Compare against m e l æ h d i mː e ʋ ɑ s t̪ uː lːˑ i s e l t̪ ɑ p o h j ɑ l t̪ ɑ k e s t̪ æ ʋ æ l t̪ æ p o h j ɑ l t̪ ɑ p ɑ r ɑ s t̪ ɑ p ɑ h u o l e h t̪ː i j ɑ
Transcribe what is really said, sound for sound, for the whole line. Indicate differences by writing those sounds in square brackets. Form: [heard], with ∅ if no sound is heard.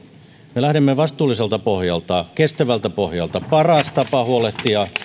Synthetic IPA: m e l æ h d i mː e ʋ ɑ s t̪ uː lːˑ i s e l t̪ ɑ p o h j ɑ l t̪ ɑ k e s t̪ æ ʋ æ l t̪ æ p o h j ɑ l t̪ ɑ p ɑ r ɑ s t̪ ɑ p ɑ h u o l e h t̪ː i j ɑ

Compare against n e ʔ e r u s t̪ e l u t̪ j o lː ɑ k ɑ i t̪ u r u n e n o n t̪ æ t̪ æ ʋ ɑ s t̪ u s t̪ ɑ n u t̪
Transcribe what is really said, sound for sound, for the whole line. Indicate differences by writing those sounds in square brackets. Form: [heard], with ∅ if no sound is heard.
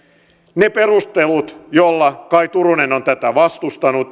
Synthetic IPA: n e [p] e r u s t̪ e l u t̪ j o lː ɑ k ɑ i t̪ u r u n e n o n t̪ æ t̪ æ ʋ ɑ s t̪ u s t̪ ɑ n u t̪

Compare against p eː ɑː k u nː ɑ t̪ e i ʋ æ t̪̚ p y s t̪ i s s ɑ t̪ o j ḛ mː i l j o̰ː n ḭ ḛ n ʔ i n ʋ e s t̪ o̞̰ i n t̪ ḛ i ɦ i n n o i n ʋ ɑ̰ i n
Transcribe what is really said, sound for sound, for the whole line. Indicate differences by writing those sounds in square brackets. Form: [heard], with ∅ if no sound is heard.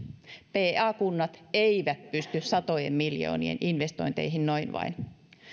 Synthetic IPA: p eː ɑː k u nː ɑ t̪ e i ʋ æ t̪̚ p y s t̪ [y] s s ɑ t̪ o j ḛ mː i l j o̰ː n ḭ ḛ n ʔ i n ʋ e s t̪ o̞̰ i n t̪ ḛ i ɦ i n n o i n ʋ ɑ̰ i n

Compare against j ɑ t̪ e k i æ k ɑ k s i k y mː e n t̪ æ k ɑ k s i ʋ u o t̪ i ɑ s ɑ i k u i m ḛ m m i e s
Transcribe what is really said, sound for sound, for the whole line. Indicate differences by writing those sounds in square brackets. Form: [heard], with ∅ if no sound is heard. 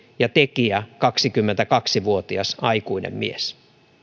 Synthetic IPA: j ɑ t̪ e k i æ k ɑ k s i k y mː e n t̪ æ k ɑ k s i ʋ u o t̪ i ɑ s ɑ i k u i [n] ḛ m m i e s

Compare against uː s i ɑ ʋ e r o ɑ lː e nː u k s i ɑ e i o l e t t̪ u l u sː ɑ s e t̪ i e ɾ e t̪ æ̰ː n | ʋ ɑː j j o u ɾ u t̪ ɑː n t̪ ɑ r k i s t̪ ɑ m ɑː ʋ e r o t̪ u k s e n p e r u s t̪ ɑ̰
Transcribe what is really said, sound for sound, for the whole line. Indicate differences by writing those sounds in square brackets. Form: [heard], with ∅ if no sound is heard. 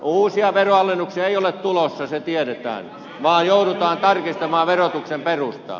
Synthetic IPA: uː s i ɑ ʋ e r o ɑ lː e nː u k s i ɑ e i o l e t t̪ u l [o] sː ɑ s e t̪ i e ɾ e t̪ æ̰ː n | ʋ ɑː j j o u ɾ u t̪ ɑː n t̪ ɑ r k i s t̪ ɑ m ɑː ʋ e r o t̪ u k s e [m] p e r u s t̪ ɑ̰

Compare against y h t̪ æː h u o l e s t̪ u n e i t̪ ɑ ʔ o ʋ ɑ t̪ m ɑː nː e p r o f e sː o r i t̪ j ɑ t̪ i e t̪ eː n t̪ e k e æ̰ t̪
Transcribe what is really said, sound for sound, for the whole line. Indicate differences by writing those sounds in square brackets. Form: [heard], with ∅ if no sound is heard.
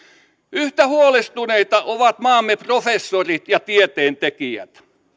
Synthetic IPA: y h t̪ [æ] h u o l e s t̪ u n e i t̪ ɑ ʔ o ʋ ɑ t̪ m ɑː [mː] e p r o f e sː o r i t̪ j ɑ t̪ i e t̪ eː n t̪ e k [i] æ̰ t̪

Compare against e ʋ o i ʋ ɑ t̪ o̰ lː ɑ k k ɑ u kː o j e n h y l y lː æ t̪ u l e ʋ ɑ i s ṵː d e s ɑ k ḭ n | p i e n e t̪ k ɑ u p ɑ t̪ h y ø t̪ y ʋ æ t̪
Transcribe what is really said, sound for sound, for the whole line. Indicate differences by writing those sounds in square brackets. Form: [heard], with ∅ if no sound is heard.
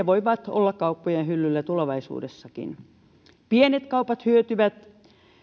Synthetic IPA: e ʋ o i ʋ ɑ t̪ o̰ lː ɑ k k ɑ u [pː] o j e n h y [lː] y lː æ t̪ u l e ʋ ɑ i s ṵː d e [sː] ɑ k ḭ n | p i e n e t̪ k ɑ u p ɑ t̪ h y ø t̪ y ʋ æ t̪

